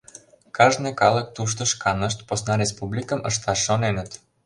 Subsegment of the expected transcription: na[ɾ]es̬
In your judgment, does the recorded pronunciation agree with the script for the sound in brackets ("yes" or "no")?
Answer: yes